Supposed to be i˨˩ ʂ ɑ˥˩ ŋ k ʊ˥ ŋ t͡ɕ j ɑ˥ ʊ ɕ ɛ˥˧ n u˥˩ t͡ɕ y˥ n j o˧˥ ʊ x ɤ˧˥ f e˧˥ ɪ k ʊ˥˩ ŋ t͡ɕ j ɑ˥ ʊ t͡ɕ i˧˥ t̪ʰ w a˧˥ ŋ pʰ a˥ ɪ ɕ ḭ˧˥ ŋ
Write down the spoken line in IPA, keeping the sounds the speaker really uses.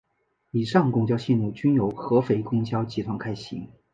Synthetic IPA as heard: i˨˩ ʂ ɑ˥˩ ŋ k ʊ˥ ŋ t͡ɕ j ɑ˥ ʊ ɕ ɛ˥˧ n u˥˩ t͡ɕ y˥ n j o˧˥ ʊ x ɤ˧˥ f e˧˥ ɪ k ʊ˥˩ ŋ t͡ɕ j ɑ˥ ʊ t͡ɕ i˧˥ t̪ʰ w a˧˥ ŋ kʰ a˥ ɪ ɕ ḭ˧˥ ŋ